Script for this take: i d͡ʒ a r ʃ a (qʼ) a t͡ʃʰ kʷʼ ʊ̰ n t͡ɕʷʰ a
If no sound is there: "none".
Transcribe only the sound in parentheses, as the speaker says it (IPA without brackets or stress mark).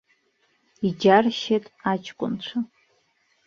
tʼ